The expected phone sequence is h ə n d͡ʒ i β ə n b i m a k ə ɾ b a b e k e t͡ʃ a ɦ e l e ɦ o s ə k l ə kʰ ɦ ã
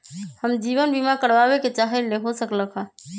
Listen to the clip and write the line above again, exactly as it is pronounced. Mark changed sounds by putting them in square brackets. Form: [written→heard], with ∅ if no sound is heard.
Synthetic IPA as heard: h ə [n→m] d͡ʒ i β ə n b i m a k ə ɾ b a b e k e t͡ʃ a ɦ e l e ɦ o s ə k l ə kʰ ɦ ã